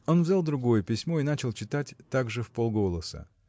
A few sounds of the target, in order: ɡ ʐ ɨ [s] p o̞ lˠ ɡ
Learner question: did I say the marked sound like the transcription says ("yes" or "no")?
no